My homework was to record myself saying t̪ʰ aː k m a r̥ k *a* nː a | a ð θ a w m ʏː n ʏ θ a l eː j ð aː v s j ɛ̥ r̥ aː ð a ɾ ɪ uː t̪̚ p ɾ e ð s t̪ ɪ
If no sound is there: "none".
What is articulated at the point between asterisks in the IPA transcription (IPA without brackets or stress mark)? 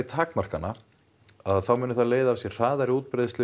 a